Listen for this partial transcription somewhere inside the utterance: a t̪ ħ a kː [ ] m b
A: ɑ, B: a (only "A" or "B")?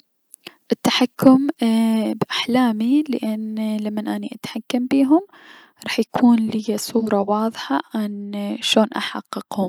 B